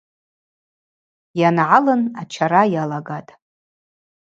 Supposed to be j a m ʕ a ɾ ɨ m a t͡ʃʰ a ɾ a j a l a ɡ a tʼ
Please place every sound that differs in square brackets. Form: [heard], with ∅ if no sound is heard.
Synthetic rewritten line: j a [n] ʕ a [l] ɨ [n] a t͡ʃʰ a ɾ a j a l a ɡ a tʼ